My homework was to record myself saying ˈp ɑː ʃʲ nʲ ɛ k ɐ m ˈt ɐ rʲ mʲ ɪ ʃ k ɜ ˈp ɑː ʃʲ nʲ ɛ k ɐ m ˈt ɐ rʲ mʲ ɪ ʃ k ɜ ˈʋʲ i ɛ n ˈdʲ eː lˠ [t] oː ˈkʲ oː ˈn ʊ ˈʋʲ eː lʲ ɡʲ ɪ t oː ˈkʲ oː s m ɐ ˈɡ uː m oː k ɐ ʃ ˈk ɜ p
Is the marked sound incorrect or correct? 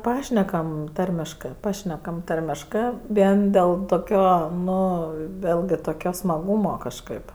correct